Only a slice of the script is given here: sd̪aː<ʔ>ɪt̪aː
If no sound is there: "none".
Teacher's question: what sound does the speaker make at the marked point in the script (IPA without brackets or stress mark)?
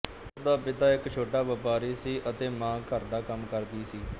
p